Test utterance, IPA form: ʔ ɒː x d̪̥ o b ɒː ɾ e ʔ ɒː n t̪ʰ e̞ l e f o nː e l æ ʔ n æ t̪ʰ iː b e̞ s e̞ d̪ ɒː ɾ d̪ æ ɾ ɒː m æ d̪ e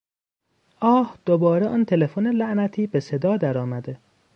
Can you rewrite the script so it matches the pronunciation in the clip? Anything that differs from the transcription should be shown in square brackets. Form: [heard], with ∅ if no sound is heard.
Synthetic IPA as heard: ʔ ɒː [h] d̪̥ o b ɒː ɾ e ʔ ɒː n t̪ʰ e̞ l e f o [n] e l æ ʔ n æ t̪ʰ iː b e̞ s e̞ d̪ ɒː [∅] d̪ æ ɾ ɒː m æ d̪ e